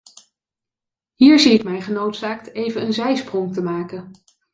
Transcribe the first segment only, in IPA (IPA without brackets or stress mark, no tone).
ɦ